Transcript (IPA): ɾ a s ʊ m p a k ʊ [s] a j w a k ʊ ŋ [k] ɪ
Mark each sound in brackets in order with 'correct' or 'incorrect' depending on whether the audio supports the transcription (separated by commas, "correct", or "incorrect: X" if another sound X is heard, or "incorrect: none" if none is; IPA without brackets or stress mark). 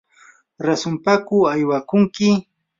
incorrect: none, correct